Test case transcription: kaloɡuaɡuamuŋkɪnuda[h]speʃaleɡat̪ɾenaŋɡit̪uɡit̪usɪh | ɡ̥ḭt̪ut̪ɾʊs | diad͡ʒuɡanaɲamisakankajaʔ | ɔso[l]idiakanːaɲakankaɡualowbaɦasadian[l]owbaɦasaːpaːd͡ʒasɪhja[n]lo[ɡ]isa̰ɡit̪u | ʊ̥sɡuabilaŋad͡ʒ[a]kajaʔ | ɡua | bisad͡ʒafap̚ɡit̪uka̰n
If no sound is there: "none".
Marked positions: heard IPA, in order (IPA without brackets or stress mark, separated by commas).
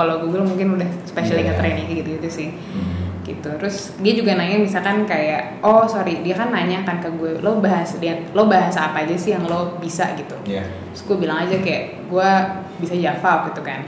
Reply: h, ɾ, l, ŋ, b, a